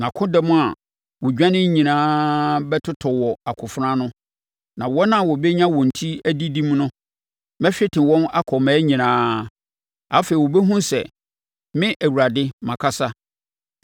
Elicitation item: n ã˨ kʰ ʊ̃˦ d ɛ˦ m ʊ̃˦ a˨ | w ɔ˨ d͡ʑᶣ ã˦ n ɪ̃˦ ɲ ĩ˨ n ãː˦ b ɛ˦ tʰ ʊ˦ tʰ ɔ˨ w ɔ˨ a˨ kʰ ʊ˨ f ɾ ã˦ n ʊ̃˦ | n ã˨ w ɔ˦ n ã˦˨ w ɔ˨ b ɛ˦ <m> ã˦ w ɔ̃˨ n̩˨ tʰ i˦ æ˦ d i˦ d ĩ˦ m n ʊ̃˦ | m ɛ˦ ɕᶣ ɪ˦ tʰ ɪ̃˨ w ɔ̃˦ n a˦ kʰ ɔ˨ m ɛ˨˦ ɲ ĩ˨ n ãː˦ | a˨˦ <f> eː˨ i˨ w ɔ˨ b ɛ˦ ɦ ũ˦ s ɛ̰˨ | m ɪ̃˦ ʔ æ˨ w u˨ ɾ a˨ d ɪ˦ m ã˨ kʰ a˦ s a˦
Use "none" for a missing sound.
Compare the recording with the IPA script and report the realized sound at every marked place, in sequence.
ɲ, f

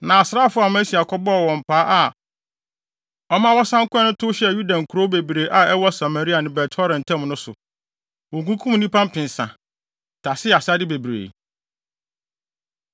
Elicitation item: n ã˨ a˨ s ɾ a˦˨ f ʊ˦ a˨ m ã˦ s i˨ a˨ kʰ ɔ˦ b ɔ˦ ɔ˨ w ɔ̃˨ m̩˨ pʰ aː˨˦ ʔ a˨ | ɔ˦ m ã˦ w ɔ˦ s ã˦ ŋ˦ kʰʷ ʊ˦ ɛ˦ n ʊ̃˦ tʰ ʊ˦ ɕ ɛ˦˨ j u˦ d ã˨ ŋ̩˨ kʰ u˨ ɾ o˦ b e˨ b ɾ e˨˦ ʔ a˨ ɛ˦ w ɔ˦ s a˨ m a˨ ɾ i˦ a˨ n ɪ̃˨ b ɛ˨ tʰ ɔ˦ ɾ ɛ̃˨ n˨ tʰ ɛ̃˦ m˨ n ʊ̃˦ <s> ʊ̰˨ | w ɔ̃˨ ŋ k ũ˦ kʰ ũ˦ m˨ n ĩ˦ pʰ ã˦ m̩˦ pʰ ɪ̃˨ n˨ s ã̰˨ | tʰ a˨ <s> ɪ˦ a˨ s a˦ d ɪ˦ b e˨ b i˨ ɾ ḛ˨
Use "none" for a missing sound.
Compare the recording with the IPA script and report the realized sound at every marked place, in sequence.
s, s

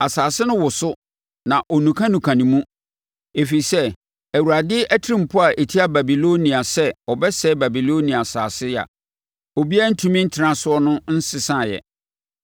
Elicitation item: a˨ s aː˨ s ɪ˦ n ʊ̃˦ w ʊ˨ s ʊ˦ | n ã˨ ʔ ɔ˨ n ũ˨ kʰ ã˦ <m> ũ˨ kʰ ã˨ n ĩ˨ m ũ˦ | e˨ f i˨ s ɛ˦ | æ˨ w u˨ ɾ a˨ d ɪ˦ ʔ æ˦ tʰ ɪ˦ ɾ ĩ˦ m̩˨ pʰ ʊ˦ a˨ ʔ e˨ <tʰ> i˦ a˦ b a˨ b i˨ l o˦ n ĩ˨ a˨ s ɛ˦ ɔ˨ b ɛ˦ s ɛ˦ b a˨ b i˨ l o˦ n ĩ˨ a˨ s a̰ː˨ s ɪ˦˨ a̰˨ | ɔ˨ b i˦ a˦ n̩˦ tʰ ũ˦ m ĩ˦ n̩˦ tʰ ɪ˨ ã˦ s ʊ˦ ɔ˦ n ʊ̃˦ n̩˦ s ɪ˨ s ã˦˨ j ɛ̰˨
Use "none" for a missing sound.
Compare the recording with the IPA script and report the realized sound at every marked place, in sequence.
n, tʰ

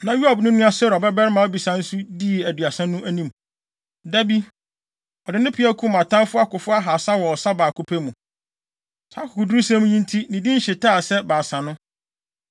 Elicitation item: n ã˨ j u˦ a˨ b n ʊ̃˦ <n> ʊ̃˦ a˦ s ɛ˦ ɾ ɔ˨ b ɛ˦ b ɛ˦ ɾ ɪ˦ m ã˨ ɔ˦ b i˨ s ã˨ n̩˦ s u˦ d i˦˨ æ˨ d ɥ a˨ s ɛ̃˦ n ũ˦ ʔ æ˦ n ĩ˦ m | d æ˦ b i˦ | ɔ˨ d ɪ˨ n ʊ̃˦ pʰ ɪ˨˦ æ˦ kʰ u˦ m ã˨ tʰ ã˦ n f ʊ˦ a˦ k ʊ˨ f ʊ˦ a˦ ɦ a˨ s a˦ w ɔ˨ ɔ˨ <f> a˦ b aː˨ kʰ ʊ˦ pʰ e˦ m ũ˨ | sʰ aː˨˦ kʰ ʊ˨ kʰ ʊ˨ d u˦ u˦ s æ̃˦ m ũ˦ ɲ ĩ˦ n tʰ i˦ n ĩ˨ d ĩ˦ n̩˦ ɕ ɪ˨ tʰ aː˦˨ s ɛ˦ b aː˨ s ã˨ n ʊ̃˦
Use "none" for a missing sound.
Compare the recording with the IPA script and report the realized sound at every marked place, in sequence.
n, s

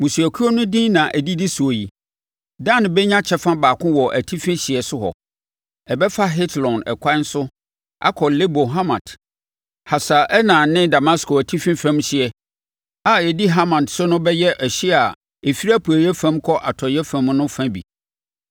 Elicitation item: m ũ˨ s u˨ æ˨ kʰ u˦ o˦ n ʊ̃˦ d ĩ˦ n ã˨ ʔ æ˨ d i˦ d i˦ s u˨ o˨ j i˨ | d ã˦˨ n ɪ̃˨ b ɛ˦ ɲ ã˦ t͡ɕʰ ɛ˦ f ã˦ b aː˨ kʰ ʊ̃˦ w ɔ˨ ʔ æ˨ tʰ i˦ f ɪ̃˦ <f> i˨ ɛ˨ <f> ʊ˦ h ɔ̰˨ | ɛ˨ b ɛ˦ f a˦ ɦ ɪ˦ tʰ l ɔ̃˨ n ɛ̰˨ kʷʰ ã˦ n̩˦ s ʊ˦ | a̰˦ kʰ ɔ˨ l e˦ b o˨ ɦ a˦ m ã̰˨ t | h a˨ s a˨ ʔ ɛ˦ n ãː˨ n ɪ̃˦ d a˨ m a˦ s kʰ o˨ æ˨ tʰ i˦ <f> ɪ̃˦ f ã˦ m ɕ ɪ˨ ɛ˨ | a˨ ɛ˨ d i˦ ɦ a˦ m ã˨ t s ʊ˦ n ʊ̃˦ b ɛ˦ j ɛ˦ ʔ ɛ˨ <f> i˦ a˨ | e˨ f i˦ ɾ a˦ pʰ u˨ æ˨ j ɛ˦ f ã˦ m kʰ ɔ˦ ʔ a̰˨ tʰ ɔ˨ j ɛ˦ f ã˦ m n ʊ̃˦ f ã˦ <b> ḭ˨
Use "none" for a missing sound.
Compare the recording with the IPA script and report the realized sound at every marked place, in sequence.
ɕ, s, f, ɕ, b

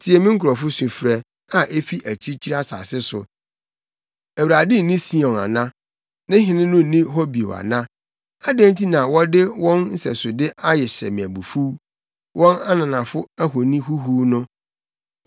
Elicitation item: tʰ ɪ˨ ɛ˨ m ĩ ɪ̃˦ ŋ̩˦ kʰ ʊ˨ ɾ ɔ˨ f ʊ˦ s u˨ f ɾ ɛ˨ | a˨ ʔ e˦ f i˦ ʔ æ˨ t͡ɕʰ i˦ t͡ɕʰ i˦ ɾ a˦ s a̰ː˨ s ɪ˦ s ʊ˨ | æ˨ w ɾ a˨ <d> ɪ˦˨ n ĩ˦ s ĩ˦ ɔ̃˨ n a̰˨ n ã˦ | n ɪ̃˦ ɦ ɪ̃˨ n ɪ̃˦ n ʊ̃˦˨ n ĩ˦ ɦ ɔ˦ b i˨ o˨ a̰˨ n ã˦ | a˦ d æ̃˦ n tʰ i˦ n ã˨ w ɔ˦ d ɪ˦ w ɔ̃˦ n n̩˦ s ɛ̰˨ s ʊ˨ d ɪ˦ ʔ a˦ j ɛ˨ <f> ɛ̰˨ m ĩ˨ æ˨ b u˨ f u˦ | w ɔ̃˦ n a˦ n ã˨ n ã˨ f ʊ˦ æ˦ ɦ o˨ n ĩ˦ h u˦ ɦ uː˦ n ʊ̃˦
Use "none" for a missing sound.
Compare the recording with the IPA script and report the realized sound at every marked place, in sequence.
d, ɕ

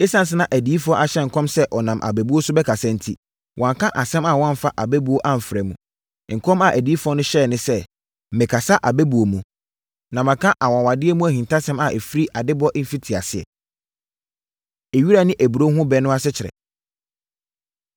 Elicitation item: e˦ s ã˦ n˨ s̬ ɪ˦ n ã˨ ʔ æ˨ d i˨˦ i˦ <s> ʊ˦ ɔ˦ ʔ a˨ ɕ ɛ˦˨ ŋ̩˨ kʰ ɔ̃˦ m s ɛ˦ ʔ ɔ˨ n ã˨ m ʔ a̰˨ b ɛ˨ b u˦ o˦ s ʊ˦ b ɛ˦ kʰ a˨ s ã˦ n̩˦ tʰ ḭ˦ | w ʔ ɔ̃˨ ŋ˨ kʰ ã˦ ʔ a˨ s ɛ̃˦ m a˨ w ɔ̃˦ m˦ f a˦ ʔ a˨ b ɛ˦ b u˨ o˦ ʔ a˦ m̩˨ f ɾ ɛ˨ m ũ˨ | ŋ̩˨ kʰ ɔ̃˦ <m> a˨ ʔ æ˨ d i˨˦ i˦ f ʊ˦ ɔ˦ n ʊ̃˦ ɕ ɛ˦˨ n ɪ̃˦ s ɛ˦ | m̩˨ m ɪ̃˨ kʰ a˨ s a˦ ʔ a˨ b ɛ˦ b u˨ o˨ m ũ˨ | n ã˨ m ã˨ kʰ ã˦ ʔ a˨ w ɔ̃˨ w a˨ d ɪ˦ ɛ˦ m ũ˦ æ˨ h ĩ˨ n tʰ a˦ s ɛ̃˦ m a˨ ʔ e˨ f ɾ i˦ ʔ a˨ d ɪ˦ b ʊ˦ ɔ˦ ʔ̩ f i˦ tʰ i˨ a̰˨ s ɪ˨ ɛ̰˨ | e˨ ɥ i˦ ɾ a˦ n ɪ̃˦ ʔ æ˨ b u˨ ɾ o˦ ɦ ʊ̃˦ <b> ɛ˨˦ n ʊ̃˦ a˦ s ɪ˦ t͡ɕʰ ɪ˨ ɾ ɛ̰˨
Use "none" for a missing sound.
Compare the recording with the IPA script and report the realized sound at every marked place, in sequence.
f, m, b

